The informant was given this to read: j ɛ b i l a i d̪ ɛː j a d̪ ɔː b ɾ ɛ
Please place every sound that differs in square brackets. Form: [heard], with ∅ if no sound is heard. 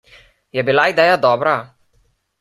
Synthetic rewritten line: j ɛ b i l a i d̪ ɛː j a d̪ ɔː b ɾ [a]